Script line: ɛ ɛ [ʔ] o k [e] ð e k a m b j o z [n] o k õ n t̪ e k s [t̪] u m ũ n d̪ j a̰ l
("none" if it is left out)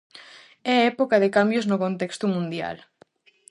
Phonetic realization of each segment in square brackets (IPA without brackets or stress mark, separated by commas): p, a, n, t̪